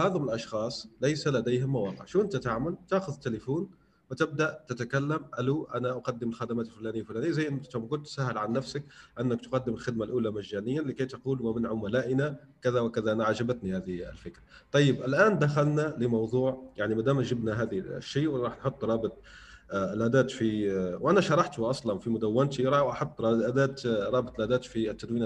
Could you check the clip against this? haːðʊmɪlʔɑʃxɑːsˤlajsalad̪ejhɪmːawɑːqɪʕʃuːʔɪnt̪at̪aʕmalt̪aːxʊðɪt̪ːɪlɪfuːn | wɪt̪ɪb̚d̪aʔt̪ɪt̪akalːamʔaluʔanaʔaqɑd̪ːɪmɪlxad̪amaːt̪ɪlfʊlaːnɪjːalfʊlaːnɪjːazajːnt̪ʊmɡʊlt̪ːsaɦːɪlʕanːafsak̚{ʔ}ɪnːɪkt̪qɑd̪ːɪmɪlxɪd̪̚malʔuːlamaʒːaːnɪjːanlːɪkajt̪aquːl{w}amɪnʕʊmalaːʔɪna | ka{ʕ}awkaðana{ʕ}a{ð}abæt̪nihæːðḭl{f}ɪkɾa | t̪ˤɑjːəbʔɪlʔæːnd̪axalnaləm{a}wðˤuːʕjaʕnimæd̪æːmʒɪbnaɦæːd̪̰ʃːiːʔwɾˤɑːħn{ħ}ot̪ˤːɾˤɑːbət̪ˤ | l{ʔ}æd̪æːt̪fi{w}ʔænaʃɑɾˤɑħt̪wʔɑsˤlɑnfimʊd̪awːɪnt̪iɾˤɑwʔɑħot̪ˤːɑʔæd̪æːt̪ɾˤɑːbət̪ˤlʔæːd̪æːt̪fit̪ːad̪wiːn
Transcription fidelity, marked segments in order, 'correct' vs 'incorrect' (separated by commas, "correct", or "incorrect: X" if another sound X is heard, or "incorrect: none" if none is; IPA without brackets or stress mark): correct, correct, incorrect: ð, correct, incorrect: ʒ, correct, incorrect: ɑ, correct, correct, correct